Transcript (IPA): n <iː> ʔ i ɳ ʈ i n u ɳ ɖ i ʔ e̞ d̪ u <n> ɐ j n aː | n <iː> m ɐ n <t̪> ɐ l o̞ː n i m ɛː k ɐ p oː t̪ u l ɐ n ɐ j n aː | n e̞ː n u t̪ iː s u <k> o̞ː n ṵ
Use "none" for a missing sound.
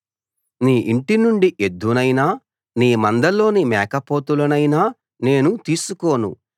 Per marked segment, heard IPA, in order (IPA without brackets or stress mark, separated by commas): iː, n, iː, d̪, k